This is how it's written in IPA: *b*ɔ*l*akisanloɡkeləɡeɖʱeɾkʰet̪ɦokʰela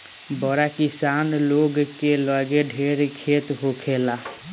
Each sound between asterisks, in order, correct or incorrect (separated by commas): correct, incorrect